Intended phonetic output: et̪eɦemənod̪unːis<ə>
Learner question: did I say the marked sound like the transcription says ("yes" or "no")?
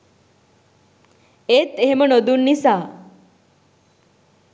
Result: no